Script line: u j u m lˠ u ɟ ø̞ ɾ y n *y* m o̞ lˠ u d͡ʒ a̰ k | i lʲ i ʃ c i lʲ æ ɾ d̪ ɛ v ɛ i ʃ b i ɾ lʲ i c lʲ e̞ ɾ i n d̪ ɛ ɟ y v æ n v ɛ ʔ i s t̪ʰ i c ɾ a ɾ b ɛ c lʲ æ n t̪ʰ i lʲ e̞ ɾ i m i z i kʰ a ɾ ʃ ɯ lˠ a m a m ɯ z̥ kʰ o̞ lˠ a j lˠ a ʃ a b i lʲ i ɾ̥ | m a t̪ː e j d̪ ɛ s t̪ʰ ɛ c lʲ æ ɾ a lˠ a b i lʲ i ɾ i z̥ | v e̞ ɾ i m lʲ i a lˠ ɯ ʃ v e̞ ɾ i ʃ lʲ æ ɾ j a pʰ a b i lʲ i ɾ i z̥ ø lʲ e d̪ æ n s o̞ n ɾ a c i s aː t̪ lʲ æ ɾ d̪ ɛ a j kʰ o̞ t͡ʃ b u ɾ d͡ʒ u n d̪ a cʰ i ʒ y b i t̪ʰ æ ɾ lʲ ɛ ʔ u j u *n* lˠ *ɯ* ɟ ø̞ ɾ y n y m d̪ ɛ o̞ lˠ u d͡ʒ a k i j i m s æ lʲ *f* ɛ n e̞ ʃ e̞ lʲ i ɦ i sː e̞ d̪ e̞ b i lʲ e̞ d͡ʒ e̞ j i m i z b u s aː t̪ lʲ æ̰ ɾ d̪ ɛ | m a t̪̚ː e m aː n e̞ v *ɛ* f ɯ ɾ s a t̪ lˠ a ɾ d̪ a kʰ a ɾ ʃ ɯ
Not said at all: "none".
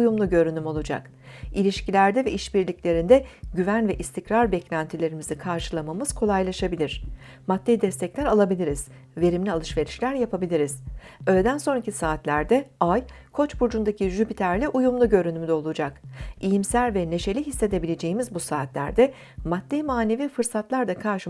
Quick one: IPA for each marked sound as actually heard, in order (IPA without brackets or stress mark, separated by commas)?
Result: y, m, u, v, i